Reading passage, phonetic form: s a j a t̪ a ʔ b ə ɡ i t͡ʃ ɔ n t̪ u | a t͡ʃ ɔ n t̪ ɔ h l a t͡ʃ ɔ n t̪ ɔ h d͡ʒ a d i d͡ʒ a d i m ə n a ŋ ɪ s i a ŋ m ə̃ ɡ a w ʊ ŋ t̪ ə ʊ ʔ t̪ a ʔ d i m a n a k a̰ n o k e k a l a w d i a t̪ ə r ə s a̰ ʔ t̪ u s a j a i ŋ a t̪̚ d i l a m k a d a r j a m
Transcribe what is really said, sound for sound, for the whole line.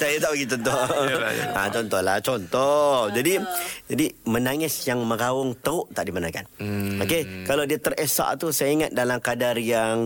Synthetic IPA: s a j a t̪ a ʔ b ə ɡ i t͡ʃ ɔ n t̪ ɔ | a t͡ʃ ɔ n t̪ ɔ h l a t͡ʃ ɔ n t̪ ɔ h d͡ʒ a d i d͡ʒ a d i m ə n a ŋ ɪ s j a ŋ m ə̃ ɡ a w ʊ ŋ t̪ ə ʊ ʔ t̪ a ʔ d i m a n a k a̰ n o k e k a l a w d i a t̪ ə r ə s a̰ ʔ t̪ u s a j a i ŋ a t̪̚ d a l a m k a d a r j a ŋ